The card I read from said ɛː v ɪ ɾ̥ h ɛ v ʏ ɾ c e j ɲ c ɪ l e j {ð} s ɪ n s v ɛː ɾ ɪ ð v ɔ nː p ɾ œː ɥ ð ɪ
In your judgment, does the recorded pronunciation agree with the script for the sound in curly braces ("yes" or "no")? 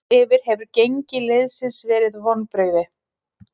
yes